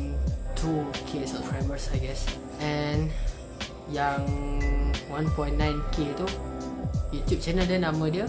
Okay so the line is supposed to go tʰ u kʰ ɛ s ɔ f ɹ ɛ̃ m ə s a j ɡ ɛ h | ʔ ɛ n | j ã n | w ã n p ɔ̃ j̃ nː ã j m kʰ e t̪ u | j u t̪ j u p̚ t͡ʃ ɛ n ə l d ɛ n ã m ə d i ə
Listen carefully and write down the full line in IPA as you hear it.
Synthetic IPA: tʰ u kʰ e s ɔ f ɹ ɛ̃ m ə s a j ɡ ɛ s | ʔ ɛ n | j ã ŋ | w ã n p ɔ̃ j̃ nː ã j n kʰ e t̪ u | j u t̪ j u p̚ t͡ʃ ɛ n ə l d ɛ n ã m ə d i ə